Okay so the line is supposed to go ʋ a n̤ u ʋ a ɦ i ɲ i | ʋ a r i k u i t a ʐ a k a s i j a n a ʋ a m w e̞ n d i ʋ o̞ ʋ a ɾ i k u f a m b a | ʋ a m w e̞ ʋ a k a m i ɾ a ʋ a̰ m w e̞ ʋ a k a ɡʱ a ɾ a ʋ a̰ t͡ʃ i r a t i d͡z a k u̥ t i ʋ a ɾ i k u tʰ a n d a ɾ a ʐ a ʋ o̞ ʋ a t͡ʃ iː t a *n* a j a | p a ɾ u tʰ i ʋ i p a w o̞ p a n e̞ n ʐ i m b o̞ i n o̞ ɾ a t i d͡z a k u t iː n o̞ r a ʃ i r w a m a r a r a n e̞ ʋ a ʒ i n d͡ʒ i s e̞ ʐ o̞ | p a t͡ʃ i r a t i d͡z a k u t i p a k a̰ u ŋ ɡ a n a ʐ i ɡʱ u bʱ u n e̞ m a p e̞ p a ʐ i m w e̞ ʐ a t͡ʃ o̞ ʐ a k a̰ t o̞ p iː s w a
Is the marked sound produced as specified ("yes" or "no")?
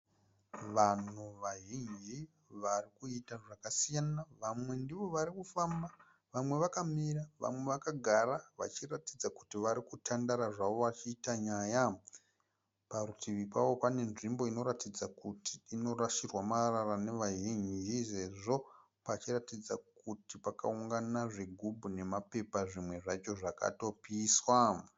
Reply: no